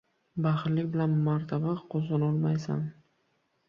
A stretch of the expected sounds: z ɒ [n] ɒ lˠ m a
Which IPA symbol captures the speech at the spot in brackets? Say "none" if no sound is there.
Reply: n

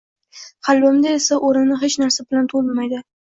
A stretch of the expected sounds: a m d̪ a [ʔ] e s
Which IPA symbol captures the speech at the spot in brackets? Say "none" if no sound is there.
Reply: none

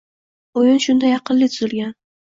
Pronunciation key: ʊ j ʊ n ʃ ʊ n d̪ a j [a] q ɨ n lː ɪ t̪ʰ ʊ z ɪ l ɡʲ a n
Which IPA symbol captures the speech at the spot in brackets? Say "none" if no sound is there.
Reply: ɑ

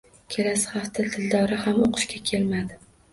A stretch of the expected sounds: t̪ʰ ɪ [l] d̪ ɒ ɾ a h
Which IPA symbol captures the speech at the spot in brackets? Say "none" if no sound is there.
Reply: l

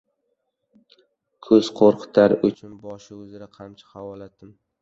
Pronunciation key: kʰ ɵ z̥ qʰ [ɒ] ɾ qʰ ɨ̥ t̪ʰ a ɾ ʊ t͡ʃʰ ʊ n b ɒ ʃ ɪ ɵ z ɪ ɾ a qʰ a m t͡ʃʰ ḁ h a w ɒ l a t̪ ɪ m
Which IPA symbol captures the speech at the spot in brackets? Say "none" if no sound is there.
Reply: o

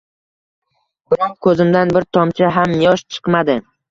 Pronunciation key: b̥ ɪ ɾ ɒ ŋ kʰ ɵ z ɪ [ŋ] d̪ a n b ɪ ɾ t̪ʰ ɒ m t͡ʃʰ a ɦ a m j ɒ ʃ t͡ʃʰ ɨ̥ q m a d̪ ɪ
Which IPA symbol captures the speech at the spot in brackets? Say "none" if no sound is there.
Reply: m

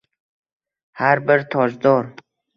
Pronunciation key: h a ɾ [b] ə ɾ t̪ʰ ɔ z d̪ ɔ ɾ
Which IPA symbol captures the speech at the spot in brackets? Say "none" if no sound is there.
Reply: b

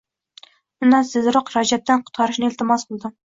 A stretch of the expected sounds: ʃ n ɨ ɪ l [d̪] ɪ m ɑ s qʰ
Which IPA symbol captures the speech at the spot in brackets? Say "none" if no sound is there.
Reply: t̪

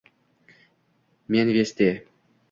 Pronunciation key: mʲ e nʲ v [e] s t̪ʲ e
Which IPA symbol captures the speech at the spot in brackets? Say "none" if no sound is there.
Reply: e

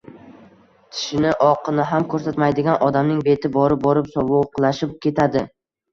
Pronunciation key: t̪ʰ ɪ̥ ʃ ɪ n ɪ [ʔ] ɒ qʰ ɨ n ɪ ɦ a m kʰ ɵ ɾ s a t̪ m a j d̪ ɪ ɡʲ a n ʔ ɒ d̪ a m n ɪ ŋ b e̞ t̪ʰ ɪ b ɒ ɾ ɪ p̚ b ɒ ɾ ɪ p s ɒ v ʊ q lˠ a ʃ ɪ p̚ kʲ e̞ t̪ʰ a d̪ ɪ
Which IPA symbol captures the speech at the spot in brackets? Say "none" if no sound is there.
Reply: ʔ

